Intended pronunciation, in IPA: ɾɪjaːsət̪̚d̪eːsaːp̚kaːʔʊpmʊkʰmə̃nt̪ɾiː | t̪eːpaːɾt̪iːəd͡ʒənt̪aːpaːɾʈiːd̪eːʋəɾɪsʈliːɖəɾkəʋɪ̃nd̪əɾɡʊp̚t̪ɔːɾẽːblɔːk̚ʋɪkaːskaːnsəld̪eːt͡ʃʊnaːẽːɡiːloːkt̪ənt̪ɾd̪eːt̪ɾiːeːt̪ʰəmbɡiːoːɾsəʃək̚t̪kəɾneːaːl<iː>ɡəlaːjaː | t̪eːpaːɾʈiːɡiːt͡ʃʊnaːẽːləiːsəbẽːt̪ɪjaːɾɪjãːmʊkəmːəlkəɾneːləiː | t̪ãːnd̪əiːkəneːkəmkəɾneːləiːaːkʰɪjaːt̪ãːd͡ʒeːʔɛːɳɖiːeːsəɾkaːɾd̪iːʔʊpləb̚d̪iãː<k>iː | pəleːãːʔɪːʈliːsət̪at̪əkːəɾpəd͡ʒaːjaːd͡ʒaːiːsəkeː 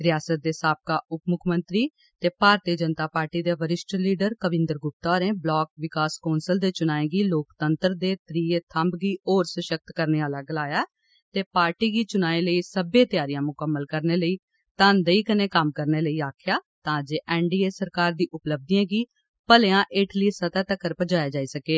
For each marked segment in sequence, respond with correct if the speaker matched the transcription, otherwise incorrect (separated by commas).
incorrect, incorrect